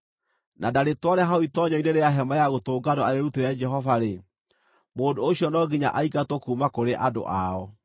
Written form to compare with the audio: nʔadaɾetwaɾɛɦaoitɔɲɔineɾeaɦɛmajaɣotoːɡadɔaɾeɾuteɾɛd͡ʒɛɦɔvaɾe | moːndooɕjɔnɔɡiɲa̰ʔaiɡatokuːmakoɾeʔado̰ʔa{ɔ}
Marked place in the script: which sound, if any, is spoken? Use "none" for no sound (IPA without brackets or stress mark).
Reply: ɔ